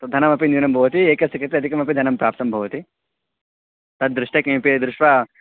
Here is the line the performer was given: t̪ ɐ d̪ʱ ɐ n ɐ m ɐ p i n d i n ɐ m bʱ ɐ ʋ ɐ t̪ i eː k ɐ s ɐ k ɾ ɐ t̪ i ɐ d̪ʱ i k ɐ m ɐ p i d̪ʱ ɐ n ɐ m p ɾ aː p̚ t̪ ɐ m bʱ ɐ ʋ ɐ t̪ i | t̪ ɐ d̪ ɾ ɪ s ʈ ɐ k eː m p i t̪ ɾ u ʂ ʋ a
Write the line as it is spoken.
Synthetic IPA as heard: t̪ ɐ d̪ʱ ɐ n ɐ m ɐ p i n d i n ɐ m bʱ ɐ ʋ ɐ t̪ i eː k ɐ s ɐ k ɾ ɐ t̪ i ɐ d̪ʱ i k ɐ m ɐ p i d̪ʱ ɐ n ɐ m p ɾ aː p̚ t̪ ɐ m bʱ ɐ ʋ ɐ t̪ i | t̪ ɐ d̪ ɾ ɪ ʂ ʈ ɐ k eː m p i d̪ ɾ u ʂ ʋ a